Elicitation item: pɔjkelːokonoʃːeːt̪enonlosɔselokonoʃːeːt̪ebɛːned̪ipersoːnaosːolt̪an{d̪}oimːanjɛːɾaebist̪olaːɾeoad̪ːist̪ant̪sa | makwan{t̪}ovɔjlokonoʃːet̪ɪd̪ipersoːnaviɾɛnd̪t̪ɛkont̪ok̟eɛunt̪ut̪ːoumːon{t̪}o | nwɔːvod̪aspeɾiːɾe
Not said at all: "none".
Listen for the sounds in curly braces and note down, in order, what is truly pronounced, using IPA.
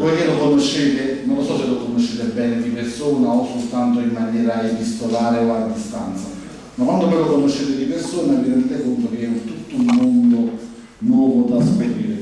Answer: t̪, d̪, d̪

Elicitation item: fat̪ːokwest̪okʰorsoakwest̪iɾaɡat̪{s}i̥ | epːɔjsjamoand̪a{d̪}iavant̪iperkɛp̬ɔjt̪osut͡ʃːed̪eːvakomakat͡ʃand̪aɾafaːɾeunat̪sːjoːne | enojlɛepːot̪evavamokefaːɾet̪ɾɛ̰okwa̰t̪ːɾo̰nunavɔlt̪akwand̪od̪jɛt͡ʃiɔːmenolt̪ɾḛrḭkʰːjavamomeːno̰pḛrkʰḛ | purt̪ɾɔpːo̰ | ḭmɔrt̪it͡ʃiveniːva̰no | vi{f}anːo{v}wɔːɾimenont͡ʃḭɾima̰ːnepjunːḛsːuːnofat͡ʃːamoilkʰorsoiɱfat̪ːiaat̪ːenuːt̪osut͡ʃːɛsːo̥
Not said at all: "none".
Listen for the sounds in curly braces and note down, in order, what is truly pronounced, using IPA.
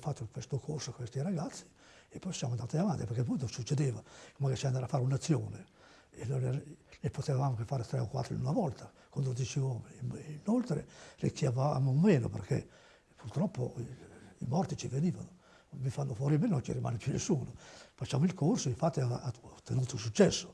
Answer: sː, t̪, f, f

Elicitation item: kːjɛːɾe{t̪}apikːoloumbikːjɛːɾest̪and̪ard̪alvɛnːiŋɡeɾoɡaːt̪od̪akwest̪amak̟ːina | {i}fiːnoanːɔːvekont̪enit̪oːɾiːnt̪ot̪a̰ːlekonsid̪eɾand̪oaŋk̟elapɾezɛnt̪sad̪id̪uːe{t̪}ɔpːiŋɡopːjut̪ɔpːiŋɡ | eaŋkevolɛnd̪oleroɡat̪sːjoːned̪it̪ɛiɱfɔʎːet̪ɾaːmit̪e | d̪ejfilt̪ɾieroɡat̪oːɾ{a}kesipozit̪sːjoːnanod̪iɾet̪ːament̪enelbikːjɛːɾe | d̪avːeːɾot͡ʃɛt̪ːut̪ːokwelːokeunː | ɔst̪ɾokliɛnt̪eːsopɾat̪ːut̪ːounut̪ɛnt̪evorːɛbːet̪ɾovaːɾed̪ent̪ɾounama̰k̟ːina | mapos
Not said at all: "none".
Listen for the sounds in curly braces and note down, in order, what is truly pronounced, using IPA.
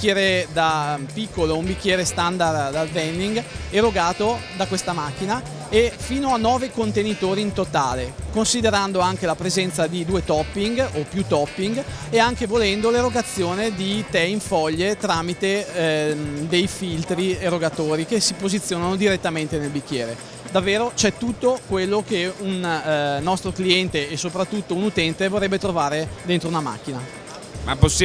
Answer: d̪, e, t̪, i

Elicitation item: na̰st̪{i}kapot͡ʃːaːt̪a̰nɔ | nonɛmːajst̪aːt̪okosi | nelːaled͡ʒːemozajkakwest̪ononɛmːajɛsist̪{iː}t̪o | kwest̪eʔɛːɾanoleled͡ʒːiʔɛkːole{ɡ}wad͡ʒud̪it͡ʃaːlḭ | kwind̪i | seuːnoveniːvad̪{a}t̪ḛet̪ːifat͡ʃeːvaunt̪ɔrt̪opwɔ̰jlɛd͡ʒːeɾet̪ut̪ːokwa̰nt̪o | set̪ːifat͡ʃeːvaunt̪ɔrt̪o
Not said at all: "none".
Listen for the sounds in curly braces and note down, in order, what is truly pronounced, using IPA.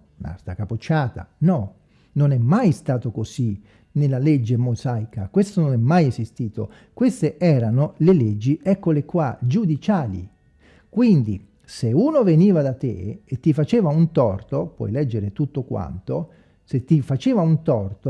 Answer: a, iː, k, a

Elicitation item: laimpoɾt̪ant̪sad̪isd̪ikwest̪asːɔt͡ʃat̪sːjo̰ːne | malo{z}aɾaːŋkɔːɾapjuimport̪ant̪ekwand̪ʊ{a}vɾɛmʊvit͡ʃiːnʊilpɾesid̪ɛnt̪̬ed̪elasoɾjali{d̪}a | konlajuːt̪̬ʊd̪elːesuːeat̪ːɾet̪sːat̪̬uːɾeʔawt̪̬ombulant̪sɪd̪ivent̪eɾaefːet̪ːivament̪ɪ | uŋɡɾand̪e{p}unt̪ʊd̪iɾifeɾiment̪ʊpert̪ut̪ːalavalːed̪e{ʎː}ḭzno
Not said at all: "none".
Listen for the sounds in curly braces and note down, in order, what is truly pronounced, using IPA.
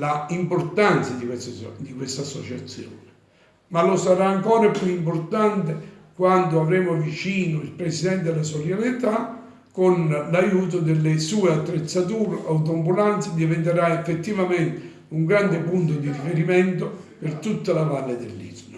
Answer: s, a, t̪, p, lː

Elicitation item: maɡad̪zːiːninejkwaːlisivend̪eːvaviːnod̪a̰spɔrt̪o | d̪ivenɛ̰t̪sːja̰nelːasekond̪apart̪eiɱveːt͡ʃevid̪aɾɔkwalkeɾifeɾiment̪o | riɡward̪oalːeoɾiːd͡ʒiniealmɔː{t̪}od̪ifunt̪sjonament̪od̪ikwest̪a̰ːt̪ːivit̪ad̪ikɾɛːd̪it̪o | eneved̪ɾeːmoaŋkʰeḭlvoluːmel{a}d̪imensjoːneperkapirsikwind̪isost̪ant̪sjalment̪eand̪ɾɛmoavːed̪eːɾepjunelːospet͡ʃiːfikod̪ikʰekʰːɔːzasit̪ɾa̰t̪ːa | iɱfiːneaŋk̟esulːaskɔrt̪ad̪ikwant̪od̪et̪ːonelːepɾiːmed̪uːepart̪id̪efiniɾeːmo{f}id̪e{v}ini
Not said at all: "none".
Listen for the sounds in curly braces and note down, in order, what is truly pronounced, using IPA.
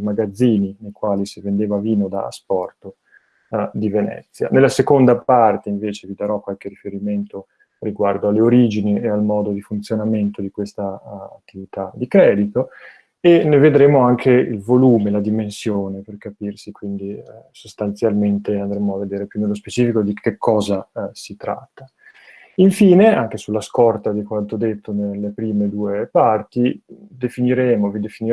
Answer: d̪, a, v, f

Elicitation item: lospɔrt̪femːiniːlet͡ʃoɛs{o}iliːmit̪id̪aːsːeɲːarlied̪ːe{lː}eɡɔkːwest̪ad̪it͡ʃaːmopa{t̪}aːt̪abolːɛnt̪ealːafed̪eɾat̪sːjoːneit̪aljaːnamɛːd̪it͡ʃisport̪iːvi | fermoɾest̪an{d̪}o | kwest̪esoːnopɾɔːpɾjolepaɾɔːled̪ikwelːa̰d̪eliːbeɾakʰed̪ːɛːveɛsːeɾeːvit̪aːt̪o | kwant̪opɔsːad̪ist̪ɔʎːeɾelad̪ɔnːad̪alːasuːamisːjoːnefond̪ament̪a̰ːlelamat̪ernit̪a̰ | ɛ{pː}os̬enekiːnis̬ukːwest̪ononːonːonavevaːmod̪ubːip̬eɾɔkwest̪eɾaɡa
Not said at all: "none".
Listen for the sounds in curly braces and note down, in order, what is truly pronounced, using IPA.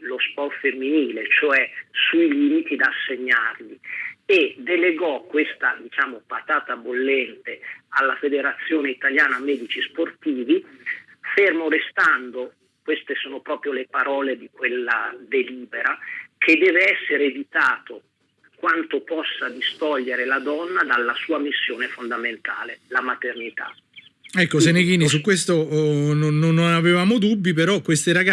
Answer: u, l, t̪, d̪, kː

